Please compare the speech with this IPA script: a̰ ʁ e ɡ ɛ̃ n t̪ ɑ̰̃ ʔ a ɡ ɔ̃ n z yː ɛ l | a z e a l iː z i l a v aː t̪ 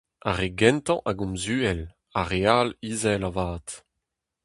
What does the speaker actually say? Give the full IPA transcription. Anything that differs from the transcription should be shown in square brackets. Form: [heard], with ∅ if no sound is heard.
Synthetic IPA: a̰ ʁ e ɡ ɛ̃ n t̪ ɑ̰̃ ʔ a ɡ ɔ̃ [m] z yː ɛ l | a [ʁ] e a l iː z [ɛ] l a v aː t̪